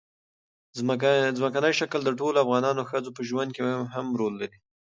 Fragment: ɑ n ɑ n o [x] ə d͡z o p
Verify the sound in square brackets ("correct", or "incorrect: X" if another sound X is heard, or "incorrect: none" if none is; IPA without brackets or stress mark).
correct